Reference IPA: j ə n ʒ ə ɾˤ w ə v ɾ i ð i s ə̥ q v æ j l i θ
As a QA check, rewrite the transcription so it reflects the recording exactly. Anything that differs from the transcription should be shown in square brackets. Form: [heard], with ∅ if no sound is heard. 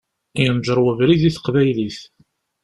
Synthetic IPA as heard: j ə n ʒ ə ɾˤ w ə v ɾ i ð i [θ] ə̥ q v æ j l i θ